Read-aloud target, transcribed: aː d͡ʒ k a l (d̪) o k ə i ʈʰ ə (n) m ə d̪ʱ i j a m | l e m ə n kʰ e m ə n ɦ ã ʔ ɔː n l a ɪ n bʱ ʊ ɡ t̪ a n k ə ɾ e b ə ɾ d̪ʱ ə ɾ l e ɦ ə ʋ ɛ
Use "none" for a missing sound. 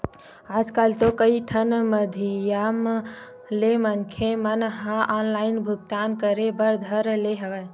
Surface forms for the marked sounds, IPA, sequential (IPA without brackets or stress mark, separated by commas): t̪, n